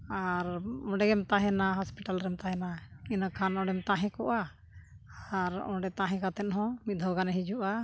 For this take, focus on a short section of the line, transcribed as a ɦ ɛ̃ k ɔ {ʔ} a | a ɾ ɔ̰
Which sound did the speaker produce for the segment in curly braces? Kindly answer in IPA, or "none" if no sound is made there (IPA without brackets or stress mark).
ʔ